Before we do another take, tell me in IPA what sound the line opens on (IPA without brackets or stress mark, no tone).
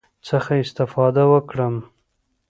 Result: t͡s